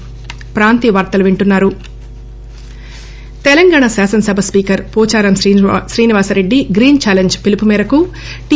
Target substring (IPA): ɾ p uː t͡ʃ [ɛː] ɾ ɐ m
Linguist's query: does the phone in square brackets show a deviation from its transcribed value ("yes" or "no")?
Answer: yes